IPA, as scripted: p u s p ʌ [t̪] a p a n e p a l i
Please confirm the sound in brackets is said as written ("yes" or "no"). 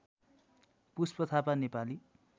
no